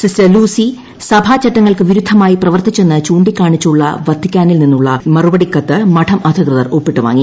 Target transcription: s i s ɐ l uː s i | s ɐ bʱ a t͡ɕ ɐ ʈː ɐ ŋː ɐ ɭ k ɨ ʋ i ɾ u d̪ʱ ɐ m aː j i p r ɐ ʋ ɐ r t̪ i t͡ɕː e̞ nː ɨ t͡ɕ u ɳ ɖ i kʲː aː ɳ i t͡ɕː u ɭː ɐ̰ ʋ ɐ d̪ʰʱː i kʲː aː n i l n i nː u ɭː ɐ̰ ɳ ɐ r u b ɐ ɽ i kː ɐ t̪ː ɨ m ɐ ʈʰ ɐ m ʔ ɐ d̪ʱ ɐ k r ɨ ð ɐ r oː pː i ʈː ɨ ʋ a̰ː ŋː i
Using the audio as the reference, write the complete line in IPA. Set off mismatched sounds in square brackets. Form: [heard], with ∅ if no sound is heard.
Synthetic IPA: s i s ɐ l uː s i | s ɐ bʱ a t͡ɕ ɐ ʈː ɐ ŋː ɐ ɭ k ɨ ʋ i ɾ u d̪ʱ ɐ m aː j i p r ɐ ʋ ɐ r t̪ i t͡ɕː e̞ nː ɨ t͡ɕ [uː] ɳ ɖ i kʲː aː ɳ i t͡ɕː u ɭː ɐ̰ ʋ ɐ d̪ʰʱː i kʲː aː n i l n i nː u ɭː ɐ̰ [m] ɐ r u b ɐ ɽ i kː ɐ t̪ː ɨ m ɐ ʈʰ ɐ m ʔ ɐ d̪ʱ ɐ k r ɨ ð ɐ r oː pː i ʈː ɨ ʋ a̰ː ŋː i